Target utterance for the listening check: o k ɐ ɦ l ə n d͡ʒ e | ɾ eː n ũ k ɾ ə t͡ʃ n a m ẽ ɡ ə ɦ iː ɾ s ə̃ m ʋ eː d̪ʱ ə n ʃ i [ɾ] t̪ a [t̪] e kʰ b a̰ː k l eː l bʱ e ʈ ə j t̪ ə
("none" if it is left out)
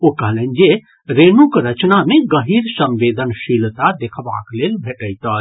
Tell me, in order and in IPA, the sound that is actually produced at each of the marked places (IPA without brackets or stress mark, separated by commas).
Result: l, d̪